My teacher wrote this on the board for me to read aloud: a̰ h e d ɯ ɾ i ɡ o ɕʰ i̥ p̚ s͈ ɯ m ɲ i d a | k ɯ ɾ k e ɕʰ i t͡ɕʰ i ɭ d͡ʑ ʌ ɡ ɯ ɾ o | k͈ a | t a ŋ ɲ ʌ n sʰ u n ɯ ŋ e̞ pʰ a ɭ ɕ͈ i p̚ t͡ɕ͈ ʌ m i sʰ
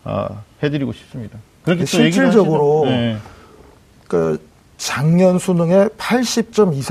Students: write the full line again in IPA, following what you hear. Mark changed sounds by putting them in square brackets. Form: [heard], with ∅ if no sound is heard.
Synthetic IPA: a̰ h e d ɯ ɾ i ɡ o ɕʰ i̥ p̚ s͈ ɯ m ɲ i d a | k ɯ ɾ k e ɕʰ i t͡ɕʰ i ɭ d͡ʑ ʌ ɡ ɯ ɾ o | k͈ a | [t͡ɕ] a ŋ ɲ ʌ n sʰ u n ɯ ŋ e̞ pʰ a ɭ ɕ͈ i p̚ t͡ɕ͈ ʌ m i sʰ